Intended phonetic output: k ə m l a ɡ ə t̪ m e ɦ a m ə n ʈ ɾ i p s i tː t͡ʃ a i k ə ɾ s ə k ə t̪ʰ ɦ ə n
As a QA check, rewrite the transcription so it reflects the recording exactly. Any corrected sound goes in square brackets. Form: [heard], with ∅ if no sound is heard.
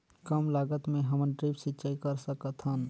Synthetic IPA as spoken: k ə m l a ɡ ə t̪ m e ɦ [ə] m ə n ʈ ɾ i p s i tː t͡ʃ a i k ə ɾ s ə k ə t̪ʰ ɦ ə n